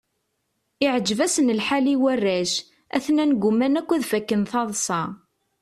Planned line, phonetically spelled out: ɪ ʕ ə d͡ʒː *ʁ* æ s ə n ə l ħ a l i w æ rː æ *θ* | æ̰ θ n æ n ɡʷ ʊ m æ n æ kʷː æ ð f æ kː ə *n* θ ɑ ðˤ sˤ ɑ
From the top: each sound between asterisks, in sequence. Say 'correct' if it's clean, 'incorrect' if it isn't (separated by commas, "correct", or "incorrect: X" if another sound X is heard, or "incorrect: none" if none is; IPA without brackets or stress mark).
incorrect: v, incorrect: ʃ, correct